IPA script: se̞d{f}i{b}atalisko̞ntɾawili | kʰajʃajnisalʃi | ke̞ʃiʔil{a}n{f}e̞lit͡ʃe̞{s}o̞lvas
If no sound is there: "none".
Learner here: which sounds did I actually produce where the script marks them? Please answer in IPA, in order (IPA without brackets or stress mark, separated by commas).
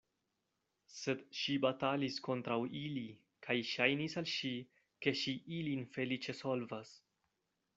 ʃ, b, i, f, s